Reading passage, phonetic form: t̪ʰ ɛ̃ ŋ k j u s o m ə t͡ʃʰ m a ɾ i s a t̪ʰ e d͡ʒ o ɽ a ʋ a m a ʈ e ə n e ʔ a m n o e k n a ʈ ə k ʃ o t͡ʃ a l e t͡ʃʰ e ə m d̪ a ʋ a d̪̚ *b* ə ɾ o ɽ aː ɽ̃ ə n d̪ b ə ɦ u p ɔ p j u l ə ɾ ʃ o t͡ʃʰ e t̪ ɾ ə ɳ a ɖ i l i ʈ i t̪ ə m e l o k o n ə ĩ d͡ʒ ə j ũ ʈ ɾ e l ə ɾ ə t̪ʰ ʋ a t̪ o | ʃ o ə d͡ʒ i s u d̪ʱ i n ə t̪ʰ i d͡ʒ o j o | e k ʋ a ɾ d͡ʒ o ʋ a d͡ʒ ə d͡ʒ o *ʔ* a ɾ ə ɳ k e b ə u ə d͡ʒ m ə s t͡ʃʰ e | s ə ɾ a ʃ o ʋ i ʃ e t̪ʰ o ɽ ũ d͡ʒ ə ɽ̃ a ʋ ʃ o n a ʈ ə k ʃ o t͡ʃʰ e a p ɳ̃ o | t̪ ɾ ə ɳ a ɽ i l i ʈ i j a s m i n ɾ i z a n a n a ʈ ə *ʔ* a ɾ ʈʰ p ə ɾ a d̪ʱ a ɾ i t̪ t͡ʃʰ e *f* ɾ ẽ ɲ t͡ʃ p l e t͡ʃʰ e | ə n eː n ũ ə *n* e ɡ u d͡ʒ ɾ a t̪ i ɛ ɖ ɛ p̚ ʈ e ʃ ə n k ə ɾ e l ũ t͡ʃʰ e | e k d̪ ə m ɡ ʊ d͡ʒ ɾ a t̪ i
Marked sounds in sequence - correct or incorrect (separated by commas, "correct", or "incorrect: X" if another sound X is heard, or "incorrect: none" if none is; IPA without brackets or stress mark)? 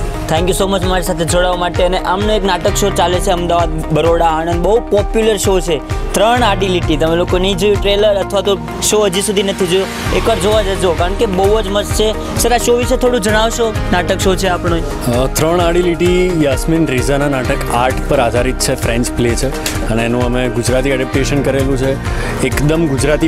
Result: correct, incorrect: k, incorrect: k, correct, incorrect: m